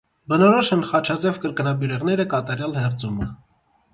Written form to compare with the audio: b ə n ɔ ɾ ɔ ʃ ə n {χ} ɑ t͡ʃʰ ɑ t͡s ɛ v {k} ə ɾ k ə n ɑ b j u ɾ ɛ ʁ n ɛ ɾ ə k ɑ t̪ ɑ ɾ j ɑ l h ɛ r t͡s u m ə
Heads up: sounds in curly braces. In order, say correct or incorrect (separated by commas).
correct, correct